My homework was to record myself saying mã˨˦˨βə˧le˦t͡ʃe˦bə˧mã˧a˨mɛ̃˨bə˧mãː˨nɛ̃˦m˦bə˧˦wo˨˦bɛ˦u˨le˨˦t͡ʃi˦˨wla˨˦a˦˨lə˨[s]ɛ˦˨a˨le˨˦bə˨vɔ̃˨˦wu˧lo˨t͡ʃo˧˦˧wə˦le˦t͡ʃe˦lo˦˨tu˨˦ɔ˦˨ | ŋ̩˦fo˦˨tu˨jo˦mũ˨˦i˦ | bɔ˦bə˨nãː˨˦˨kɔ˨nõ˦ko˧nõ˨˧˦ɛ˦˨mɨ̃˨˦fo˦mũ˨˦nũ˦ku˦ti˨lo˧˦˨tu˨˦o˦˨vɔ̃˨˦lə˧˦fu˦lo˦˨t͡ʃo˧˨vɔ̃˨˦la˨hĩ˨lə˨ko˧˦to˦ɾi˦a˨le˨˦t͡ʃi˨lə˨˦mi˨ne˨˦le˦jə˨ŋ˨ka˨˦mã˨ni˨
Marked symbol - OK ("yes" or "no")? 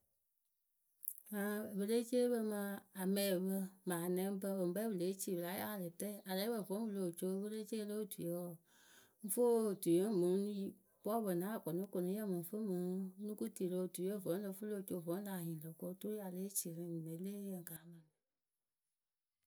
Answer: no